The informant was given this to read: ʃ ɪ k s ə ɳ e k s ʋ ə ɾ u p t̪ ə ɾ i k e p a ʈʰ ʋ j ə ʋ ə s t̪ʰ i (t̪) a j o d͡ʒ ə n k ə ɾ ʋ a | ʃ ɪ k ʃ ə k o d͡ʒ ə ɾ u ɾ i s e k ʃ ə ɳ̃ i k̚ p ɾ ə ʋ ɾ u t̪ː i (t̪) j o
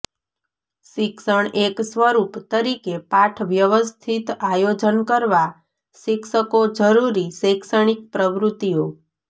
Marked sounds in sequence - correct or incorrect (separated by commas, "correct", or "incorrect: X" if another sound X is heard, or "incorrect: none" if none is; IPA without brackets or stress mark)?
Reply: correct, incorrect: none